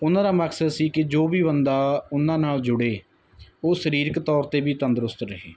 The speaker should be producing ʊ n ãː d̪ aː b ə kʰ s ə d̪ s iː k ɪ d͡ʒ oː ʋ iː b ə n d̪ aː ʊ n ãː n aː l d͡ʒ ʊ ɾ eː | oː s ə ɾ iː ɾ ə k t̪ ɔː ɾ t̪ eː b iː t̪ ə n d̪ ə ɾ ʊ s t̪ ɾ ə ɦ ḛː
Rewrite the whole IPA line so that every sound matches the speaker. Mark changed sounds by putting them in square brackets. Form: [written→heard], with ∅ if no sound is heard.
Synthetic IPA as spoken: ʊ n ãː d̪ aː [b→m] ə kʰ s ə d̪ s iː k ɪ d͡ʒ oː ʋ iː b ə n d̪ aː ʊ n ãː n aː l d͡ʒ ʊ [ɾ→ɽ] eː | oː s ə ɾ iː ɾ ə k t̪ ɔː ɾ t̪ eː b iː t̪ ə n d̪ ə ɾ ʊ s t̪ ɾ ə ɦ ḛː